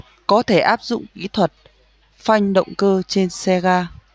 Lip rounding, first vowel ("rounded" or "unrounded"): rounded